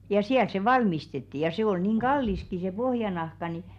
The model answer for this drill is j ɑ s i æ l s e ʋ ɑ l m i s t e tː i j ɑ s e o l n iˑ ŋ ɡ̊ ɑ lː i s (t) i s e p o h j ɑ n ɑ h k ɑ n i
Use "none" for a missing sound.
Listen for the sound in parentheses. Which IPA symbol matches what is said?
k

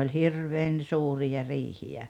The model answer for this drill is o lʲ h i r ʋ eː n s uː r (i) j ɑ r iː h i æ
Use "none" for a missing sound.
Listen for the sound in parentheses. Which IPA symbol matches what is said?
i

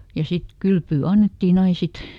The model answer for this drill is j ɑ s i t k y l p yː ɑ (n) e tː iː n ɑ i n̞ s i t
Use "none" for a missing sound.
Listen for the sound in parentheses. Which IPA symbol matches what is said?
nː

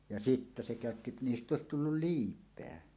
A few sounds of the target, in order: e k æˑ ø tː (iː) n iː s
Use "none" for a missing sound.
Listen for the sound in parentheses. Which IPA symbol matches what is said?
i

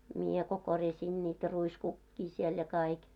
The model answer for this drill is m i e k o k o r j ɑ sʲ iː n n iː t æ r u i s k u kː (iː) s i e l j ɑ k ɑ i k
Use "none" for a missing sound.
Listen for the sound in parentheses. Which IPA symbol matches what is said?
iː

